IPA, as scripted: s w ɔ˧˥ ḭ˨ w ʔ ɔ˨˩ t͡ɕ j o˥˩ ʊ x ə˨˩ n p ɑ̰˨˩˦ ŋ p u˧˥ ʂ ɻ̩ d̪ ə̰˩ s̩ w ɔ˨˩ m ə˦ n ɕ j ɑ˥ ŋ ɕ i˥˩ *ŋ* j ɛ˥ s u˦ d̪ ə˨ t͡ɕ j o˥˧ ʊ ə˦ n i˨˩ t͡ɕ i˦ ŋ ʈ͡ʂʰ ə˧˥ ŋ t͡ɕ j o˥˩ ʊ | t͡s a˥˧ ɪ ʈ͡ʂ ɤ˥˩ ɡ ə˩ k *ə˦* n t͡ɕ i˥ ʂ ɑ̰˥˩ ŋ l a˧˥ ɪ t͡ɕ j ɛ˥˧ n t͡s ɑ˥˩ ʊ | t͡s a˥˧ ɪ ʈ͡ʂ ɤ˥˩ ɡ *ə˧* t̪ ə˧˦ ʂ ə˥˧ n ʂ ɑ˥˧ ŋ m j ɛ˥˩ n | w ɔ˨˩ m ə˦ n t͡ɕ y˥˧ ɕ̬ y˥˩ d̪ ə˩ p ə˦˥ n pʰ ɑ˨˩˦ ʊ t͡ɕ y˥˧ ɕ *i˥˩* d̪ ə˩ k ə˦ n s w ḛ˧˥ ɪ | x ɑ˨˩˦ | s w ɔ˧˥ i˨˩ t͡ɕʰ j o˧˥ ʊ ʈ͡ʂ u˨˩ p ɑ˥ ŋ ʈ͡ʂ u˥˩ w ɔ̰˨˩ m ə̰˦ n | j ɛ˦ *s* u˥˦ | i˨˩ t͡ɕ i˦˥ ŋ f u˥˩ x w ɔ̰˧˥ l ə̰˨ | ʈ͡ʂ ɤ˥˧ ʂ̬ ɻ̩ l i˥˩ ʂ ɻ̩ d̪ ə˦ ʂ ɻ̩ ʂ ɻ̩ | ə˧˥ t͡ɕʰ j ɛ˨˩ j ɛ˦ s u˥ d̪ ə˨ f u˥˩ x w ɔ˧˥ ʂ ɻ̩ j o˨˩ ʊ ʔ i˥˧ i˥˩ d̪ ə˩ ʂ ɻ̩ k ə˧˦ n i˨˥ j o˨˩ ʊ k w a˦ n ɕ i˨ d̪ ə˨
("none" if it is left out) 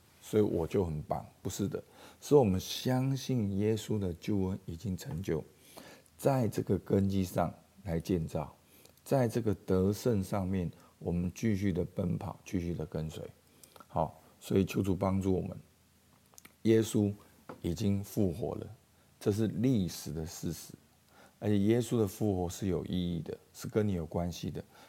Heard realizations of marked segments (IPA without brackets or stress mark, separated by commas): n, ə˦, ə˩, y˥˩, s